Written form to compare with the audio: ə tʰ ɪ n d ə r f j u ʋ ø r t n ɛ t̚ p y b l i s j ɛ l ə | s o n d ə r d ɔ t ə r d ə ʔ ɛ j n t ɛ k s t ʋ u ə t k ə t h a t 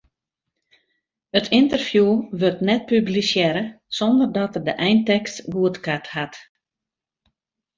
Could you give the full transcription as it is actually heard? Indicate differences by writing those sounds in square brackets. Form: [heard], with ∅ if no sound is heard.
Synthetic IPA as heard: ə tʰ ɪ n [t] ə r f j u ʋ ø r t n ɛ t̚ p y b l i s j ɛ [ɾ] ə | s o n d ə r d ɔ t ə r d ə ʔ ɛ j n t ɛ k s t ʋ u ə t k [a] t h a t